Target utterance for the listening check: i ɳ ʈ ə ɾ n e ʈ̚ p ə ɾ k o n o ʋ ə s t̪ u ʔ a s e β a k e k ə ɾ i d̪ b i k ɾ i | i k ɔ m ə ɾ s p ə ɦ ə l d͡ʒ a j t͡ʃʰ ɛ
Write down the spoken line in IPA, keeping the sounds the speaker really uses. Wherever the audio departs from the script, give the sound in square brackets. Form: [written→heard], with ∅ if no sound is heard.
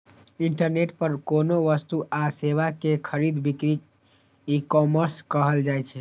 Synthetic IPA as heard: i ɳ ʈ ə ɾ n e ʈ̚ p ə ɾ k o n o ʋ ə s t̪ u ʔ a s e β a k e [k→kʰ] ə ɾ i d̪ b i k ɾ i | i k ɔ m ə ɾ s [p→k] ə ɦ ə l d͡ʒ a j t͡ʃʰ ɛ